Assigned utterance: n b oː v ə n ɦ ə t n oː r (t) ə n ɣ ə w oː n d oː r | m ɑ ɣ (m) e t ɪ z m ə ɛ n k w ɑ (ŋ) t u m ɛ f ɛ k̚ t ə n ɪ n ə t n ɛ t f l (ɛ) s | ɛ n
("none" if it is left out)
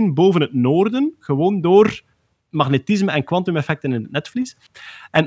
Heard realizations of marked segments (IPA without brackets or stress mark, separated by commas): d, n, n, i